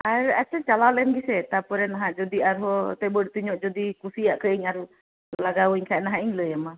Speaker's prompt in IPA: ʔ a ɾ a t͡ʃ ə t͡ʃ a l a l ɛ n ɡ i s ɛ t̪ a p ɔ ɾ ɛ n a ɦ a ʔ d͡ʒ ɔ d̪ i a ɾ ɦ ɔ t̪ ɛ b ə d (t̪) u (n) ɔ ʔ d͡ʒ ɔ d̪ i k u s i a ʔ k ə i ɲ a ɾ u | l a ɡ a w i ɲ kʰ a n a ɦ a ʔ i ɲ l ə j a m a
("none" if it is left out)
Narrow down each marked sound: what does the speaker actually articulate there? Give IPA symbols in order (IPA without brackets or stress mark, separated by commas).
t̪, ɲ